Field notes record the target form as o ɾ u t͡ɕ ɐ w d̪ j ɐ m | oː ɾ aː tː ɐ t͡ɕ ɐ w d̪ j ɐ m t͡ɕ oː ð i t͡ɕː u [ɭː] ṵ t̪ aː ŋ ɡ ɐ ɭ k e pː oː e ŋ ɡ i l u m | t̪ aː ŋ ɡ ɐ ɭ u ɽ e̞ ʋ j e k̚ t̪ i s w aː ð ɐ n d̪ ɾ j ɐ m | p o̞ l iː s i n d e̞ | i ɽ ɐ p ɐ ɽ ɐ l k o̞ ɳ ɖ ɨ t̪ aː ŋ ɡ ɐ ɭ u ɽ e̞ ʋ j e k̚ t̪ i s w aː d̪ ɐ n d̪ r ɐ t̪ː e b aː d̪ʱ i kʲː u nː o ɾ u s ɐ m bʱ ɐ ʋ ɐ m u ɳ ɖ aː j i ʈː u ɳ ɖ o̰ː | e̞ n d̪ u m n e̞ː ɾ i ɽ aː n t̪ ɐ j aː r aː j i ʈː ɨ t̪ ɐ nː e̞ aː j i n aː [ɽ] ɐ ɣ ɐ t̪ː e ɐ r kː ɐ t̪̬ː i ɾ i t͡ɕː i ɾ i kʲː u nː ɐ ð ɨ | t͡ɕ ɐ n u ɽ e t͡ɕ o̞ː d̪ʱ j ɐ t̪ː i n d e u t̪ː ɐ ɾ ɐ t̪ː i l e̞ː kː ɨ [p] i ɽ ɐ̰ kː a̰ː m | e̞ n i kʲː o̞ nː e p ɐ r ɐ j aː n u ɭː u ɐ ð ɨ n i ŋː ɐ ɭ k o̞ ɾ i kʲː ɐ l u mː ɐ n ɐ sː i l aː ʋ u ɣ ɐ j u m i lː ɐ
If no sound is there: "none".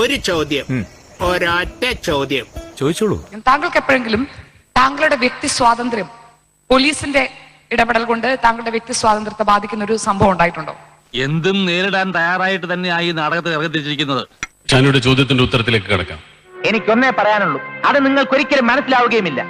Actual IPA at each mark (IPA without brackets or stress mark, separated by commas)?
ɭ, ɽ, k